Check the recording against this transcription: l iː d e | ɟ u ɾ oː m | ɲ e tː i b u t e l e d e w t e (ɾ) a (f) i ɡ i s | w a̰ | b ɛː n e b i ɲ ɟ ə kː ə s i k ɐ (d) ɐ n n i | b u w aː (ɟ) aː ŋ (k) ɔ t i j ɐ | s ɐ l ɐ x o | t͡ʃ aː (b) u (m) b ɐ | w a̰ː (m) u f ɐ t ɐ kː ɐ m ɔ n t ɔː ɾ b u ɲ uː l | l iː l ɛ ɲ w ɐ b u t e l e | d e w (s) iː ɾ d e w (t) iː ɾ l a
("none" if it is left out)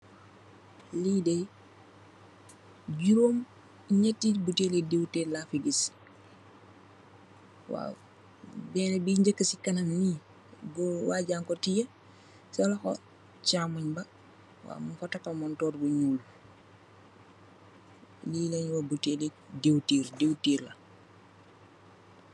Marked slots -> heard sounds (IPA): l, f, n, ɟ, k, m, ɲ, m, t, t

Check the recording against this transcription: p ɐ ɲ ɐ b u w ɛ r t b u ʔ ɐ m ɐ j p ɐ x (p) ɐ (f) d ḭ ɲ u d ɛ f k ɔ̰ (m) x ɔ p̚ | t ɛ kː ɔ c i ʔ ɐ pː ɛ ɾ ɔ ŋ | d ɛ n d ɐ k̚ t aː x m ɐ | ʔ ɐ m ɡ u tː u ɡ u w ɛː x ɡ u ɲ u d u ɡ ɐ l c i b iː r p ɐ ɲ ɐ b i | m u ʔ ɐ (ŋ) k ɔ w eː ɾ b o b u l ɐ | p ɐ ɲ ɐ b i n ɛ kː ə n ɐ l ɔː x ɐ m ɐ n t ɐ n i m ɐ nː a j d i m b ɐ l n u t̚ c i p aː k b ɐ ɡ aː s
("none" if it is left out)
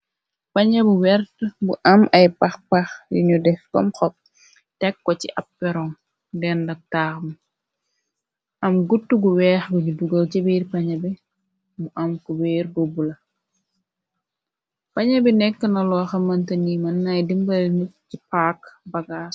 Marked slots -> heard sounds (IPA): p, x, m, m

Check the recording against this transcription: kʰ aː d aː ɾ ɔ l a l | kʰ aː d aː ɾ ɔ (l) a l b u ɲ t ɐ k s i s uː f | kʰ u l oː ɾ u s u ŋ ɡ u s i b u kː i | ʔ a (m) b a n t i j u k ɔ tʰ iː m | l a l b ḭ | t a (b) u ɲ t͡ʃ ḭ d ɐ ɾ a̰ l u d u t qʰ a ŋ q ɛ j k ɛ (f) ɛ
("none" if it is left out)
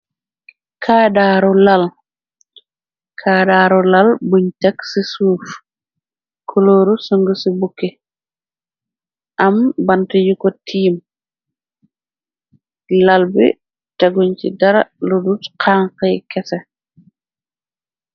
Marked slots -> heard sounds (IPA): l, m, ɡ, s

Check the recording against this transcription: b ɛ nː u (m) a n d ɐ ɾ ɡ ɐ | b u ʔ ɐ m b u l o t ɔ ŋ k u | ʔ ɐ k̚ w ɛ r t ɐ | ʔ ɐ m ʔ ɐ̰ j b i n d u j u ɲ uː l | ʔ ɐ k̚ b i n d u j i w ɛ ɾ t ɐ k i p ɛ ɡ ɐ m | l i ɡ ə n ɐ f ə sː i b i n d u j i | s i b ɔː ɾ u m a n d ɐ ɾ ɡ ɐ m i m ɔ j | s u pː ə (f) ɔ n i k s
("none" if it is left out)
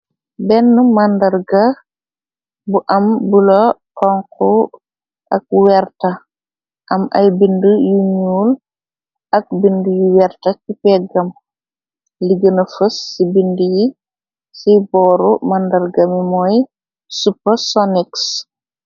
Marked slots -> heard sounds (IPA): m, s

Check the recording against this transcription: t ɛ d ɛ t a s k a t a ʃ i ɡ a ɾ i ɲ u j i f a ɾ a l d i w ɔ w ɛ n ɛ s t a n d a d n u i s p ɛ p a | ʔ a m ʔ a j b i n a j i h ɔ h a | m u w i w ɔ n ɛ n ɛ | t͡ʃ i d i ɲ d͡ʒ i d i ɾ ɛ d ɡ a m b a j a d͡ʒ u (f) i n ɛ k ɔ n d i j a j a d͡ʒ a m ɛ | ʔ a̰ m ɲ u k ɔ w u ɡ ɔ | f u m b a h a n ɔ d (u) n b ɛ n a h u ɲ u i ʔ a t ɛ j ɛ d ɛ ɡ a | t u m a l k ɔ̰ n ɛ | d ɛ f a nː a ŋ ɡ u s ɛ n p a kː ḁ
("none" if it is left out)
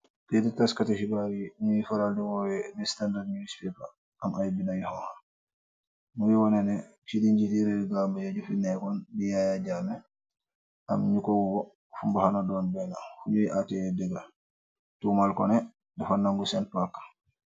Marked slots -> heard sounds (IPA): f, ɔ

